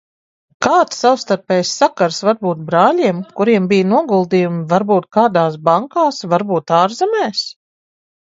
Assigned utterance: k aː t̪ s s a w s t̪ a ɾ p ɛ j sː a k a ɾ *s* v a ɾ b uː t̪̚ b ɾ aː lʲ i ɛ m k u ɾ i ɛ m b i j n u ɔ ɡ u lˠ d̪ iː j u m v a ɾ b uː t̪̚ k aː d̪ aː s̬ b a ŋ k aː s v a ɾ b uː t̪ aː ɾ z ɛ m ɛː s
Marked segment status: correct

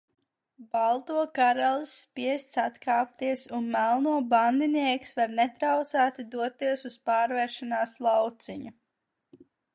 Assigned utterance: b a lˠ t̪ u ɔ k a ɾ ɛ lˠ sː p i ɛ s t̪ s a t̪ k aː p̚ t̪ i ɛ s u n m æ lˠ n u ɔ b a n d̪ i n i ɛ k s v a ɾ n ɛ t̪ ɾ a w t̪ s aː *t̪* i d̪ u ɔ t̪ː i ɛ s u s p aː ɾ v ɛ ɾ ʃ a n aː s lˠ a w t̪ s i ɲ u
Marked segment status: correct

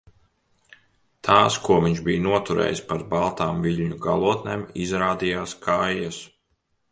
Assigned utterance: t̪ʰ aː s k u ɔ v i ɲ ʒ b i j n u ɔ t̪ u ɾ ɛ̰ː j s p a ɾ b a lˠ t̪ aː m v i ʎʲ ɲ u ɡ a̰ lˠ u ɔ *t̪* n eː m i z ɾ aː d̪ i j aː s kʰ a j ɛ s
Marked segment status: correct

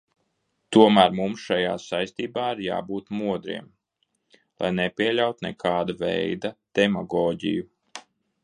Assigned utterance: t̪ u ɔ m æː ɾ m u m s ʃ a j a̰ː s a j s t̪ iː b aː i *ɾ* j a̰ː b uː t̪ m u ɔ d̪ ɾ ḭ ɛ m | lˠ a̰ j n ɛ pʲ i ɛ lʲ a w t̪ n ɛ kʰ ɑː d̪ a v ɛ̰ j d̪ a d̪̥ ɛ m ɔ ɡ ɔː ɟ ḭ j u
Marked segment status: correct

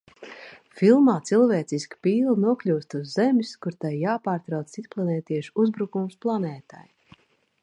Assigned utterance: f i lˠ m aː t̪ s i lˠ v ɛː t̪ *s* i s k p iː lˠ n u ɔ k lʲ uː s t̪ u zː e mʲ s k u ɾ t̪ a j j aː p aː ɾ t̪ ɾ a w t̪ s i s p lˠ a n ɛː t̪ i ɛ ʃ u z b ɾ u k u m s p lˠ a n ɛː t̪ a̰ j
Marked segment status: correct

